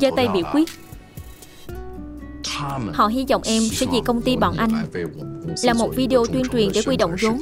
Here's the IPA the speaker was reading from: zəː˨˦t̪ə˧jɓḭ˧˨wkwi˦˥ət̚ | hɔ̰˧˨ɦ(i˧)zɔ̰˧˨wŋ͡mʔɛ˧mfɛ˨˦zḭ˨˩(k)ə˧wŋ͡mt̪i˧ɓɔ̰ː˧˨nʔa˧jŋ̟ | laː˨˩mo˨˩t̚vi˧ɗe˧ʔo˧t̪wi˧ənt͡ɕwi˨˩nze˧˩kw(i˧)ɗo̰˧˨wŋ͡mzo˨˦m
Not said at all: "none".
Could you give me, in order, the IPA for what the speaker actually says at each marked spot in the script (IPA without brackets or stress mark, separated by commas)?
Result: i˧, k, i˧